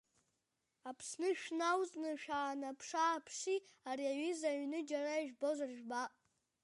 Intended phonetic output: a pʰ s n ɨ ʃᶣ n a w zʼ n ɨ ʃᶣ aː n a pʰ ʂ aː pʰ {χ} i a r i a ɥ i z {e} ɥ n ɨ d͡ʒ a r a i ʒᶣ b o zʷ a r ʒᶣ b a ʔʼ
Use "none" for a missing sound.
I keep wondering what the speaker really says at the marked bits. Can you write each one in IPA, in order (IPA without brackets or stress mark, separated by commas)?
ʂ, a